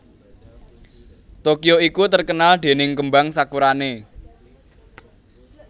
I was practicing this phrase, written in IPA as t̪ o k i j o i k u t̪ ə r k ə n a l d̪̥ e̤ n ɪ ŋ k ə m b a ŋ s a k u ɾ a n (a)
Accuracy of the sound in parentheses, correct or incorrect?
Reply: incorrect